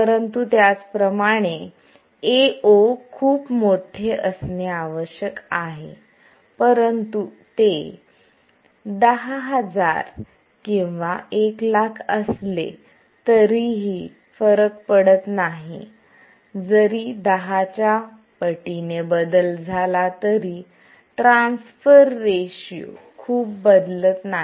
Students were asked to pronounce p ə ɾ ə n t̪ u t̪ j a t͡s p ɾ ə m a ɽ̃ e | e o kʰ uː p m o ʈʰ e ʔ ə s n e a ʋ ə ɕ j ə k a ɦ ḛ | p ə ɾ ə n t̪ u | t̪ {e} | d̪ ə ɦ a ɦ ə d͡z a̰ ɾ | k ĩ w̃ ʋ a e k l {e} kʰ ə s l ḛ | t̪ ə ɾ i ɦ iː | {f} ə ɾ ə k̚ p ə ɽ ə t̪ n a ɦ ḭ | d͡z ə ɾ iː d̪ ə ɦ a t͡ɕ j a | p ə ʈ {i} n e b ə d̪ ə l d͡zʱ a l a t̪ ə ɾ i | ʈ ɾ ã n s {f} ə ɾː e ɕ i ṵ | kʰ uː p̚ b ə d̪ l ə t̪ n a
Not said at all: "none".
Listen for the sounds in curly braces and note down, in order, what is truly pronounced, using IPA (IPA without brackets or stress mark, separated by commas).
e, a, f, i, f